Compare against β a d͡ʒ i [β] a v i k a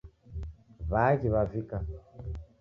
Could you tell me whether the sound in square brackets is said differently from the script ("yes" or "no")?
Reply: no